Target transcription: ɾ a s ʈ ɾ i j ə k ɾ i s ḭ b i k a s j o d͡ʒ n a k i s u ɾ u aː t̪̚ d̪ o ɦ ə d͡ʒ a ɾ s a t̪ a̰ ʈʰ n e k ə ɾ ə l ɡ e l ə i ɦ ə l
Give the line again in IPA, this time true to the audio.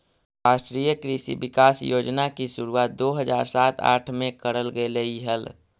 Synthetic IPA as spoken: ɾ a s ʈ ɾ i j ə k ɾ i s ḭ b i k a s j o d͡ʒ n a k i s u ɾ u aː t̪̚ d̪ o ɦ ə d͡ʒ a ɾ s a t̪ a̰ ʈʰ m e k ə ɾ ə l ɡ e l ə i ɦ ə l